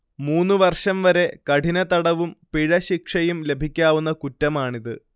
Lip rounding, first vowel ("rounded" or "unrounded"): rounded